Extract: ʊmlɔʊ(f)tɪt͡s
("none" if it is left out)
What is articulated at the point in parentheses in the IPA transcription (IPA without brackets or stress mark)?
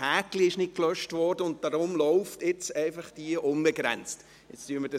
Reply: f